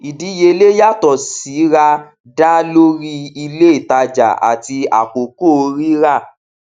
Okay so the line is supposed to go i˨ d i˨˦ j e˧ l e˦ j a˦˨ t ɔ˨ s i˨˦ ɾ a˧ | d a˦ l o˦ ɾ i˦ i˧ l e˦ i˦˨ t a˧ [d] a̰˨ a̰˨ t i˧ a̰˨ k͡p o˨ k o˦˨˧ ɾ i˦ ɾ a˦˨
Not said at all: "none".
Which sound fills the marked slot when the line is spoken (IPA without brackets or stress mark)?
d͡ʒ